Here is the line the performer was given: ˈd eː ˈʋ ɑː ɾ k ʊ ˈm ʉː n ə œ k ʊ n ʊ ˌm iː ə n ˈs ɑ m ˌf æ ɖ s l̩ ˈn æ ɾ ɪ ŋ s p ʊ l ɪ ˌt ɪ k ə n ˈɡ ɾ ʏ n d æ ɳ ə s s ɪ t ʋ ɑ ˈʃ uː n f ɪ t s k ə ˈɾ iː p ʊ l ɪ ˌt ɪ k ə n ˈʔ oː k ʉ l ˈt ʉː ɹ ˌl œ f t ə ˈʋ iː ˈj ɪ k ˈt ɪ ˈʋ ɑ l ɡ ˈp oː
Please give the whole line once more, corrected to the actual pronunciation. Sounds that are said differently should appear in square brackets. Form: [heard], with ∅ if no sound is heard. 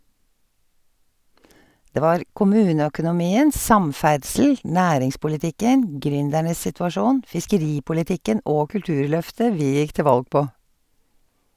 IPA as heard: ˈd eː ˈʋ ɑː ɾ k ʊ ˈm ʉː n ə œ k ʊ n ʊ ˌm iː ə n ˈs ɑ m ˌf æ ɖ s l̩ ˈn [æː] ɾ ɪ ŋ s p ʊ l ɪ ˌt ɪ k ə n ˈɡ ɾ ʏ n d æ ɳ ə s s ɪ t ʋ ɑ ˈʃ uː n f ɪ [∅] s k ə ˈɾ iː p ʊ l ɪ ˌt ɪ k ə n ˈʔ oː k ʉ l ˈt ʉː ɹ ˌl œ f t ə ˈʋ iː ˈj ɪ k ˈt ɪ ˈʋ ɑ l ɡ ˈp oː